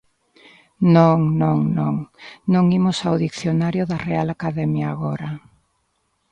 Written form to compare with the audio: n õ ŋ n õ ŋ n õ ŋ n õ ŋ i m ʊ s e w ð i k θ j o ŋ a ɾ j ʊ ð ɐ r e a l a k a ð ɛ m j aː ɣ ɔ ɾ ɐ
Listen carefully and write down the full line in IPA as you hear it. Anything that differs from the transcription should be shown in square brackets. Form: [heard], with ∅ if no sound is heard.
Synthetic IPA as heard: n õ ŋ n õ ŋ n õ ŋ n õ ŋ i m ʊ s [a] w ð i k θ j o [n] a ɾ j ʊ ð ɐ r e a l a k a ð ɛ m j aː ɣ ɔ ɾ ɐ